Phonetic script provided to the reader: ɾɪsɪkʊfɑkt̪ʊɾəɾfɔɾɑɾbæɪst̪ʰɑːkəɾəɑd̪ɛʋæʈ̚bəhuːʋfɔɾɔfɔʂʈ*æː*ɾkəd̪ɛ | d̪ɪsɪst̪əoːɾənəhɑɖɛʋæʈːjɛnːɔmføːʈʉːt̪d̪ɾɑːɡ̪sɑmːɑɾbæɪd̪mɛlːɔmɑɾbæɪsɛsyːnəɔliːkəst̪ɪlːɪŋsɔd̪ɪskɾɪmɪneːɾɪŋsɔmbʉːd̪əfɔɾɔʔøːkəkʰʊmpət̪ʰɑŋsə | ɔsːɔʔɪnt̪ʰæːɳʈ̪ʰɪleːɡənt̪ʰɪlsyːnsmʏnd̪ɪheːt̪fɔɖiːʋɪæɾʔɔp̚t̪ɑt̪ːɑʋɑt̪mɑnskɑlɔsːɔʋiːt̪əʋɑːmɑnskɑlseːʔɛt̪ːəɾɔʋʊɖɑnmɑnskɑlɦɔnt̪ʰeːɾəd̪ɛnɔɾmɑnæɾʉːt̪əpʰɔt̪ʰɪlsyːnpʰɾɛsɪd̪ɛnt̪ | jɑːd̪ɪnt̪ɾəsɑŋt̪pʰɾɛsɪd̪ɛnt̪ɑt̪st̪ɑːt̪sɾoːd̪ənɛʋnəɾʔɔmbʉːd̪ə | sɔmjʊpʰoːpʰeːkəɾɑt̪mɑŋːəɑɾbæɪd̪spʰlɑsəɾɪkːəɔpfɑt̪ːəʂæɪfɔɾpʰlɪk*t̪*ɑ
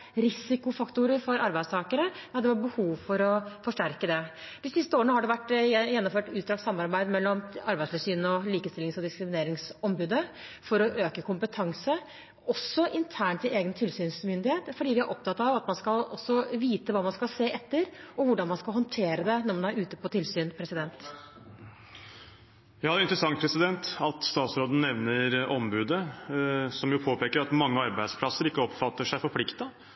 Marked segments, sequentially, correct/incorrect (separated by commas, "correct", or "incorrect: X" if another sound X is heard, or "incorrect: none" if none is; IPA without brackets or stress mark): incorrect: æ, correct